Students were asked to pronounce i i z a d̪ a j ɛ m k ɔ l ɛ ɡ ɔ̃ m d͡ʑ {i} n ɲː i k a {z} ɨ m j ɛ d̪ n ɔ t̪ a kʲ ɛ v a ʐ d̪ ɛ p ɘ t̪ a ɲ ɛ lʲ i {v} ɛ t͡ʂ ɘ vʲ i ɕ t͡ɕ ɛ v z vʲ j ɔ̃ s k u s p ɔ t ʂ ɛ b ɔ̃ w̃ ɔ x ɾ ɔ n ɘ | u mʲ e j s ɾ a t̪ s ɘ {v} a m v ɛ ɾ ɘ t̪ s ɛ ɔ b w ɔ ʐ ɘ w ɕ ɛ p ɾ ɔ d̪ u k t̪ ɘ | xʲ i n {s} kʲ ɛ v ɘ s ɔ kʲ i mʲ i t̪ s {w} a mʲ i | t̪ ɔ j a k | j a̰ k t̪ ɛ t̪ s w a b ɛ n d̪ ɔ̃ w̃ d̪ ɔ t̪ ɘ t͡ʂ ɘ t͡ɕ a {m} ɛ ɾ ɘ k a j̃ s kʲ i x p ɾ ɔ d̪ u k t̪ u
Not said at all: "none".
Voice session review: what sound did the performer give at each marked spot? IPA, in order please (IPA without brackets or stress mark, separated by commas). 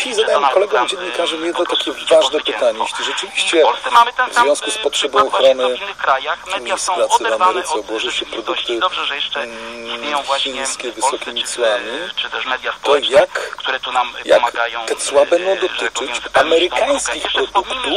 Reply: ɛ, ʐ, ʐ, v, s, w, m